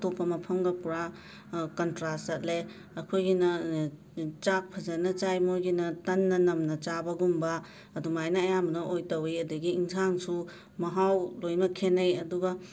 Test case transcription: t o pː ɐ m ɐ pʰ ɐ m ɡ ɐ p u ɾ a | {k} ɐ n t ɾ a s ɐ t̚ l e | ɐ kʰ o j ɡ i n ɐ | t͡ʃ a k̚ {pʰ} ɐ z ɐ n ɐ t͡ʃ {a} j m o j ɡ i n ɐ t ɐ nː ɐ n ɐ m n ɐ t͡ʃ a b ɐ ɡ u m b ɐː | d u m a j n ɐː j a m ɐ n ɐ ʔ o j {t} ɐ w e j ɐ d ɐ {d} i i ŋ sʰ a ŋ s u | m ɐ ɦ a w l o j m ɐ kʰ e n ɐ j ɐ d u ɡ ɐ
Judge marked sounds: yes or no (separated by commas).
yes, yes, yes, yes, no